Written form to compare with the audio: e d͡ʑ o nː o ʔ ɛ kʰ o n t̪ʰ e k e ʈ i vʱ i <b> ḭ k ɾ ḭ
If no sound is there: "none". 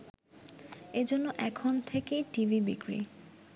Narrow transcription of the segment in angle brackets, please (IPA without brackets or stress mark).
b